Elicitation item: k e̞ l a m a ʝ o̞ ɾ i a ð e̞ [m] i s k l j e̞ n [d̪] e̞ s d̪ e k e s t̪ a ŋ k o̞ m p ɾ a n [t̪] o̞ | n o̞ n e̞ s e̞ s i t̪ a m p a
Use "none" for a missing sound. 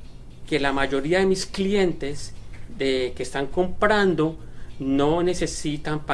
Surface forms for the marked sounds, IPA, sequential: m, t̪, d̪

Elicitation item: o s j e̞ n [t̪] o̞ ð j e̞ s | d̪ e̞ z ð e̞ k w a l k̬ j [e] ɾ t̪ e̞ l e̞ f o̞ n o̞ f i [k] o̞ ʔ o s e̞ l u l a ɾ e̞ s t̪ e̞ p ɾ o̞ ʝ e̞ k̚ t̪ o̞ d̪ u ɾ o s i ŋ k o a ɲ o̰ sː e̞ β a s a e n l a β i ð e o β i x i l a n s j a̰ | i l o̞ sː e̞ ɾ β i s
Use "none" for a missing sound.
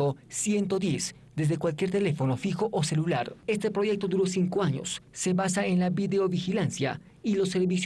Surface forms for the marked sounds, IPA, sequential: t̪, e, x

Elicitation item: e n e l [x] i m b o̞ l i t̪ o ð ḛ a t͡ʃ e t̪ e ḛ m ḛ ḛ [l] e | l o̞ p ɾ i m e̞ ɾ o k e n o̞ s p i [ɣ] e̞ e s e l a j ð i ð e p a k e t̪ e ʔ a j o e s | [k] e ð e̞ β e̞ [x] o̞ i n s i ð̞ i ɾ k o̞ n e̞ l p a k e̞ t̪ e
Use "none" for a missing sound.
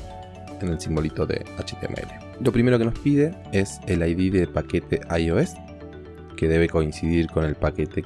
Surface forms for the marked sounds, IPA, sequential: s, l, ð, k, k

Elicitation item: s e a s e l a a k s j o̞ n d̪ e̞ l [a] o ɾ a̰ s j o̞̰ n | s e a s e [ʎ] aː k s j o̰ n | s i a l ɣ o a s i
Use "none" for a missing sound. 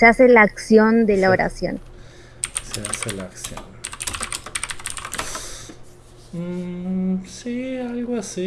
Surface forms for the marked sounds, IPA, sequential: a, l

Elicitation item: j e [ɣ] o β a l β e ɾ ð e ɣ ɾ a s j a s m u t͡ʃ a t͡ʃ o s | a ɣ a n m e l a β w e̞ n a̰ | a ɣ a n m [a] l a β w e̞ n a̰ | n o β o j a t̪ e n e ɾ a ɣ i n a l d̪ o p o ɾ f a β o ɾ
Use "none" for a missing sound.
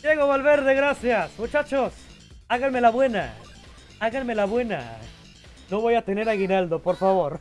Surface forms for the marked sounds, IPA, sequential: ɣ, e

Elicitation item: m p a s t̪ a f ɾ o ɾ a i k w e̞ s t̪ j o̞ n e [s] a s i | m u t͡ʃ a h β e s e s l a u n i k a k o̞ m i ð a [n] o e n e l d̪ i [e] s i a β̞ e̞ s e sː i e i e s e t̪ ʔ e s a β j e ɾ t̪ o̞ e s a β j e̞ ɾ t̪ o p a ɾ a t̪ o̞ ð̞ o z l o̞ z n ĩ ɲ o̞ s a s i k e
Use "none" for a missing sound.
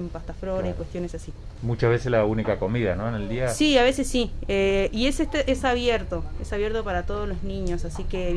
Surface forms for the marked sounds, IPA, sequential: s, n, a

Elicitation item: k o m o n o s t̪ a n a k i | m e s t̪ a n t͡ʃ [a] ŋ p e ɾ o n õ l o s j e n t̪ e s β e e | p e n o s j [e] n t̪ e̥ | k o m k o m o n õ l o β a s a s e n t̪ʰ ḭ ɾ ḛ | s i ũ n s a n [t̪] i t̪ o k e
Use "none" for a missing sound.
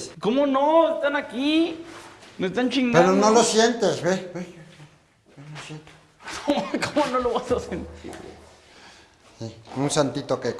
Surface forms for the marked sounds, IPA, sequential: i, e, t̪

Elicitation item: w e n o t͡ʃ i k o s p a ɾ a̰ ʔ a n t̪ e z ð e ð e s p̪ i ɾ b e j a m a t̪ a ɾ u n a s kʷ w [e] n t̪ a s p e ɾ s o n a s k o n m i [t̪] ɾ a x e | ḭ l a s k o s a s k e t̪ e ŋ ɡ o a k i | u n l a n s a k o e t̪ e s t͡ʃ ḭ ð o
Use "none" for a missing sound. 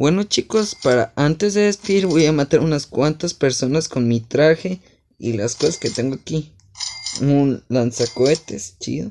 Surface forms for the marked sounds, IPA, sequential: a, t̪

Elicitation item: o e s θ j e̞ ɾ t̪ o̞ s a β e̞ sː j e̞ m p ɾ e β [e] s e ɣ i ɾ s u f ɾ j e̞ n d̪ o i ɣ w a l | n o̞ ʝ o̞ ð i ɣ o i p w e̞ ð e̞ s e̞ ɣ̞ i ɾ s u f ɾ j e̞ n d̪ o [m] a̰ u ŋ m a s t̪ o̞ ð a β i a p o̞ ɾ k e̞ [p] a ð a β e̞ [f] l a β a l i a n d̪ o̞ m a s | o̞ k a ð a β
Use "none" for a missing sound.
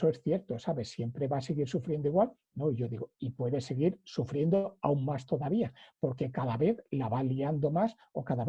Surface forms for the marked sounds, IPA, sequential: a, none, k, θ

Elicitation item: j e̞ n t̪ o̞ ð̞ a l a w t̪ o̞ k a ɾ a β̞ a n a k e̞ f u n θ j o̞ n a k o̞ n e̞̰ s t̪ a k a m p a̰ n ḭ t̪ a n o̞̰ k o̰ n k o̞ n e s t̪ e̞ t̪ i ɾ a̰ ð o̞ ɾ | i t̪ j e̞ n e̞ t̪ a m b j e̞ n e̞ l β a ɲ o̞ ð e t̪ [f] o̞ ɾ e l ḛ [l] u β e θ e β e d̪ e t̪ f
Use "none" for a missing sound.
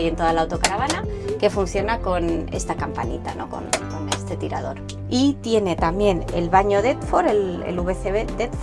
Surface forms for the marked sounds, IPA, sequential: f, l

